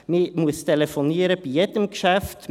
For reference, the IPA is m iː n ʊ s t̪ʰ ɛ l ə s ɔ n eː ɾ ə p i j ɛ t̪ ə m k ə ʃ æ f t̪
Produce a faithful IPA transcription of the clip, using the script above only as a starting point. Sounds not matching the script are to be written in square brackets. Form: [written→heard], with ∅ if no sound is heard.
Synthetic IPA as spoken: m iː [n→m] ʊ s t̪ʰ ɛ l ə [s→f] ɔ n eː ɾ ə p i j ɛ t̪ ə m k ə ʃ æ f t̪